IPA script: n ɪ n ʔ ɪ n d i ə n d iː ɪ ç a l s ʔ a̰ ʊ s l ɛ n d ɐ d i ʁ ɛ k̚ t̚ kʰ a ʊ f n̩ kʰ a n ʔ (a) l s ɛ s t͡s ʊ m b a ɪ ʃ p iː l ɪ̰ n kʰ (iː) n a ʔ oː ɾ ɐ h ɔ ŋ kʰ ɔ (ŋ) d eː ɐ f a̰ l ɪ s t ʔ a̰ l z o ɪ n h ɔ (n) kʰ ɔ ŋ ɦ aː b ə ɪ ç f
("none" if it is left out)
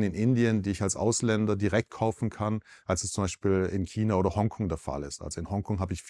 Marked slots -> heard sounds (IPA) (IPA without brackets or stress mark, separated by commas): a, iː, ŋ, ŋ